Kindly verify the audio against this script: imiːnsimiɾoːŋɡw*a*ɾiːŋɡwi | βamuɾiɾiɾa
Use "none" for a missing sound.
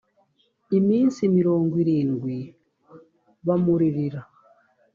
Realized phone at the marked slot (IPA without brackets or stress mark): i